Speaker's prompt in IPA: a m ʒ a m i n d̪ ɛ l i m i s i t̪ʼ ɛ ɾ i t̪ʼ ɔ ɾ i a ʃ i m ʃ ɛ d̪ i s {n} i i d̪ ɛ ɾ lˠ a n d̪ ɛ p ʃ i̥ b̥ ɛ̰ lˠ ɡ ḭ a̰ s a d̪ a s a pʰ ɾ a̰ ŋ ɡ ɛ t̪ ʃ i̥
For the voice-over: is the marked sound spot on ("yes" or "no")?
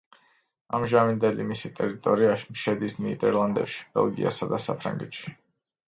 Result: yes